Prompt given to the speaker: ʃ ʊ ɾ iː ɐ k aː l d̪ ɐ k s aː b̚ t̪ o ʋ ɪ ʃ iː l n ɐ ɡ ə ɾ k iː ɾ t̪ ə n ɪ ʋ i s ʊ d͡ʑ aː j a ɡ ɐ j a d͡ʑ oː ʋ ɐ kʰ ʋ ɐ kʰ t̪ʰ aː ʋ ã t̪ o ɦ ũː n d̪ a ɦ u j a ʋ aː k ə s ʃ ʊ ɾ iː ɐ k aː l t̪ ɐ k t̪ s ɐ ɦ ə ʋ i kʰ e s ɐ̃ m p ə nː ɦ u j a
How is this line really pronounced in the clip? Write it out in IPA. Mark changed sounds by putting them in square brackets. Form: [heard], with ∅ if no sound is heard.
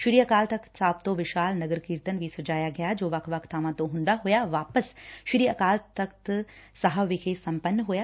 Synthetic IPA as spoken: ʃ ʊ ɾ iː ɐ k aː l [t̪] ɐ k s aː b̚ t̪ o ʋ ɪ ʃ [aː] l n ɐ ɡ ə ɾ k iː ɾ t̪ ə n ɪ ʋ i s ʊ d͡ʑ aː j a ɡ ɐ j a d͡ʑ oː ʋ ɐ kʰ ʋ ɐ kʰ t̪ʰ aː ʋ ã t̪ o ɦ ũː n d̪ a ɦ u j a ʋ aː [p] ə s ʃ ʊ ɾ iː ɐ k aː l t̪ ɐ k t̪ s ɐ ɦ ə ʋ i kʰ e s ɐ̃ m p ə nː ɦ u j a